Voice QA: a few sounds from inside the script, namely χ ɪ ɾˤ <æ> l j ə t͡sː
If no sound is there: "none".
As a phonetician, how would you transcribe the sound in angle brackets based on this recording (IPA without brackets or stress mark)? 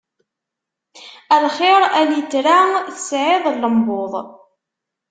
æ